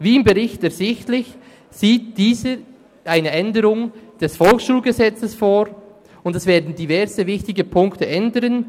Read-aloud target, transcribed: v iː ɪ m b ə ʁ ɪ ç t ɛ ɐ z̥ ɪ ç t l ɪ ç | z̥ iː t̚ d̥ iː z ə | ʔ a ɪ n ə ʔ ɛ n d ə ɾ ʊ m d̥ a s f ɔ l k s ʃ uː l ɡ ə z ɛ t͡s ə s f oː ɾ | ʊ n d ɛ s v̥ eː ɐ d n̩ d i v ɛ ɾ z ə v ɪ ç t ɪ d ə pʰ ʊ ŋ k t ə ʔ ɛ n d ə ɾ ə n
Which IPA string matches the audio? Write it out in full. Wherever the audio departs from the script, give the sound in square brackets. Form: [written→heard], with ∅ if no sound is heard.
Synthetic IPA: v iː ɪ m b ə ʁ ɪ ç t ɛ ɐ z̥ ɪ ç t l ɪ ç | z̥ iː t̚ d̥ iː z ə | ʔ a ɪ n ə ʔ ɛ n d ə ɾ ʊ [m→ŋ] d̥ [a→ɛ] s f ɔ l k s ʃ uː l ɡ ə z ɛ t͡s ə s f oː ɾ | ʊ n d ɛ s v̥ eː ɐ d n̩ d i v ɛ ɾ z ə v ɪ ç t ɪ [d→ɡ] ə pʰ ʊ ŋ k t ə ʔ ɛ n d ə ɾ ə n